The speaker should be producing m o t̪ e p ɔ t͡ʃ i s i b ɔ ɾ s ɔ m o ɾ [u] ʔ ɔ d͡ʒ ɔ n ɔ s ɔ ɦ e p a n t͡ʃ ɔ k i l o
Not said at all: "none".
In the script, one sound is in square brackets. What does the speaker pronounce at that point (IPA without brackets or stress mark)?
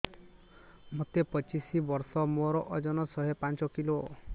ɔ